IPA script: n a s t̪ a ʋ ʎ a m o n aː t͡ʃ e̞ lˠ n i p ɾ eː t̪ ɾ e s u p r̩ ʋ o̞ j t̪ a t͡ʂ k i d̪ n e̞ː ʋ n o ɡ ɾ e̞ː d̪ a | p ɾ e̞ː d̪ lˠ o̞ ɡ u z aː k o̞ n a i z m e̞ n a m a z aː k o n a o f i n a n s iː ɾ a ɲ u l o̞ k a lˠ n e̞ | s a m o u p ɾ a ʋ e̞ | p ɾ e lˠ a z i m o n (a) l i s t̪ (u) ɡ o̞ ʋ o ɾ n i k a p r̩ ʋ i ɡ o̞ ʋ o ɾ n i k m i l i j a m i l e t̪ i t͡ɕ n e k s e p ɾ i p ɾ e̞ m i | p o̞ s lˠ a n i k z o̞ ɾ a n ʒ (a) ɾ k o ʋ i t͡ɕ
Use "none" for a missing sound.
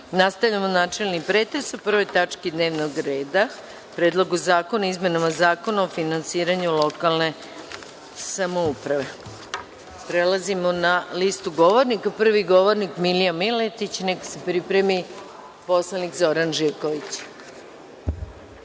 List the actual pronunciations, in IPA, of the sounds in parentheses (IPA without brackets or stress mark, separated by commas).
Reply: a, u, i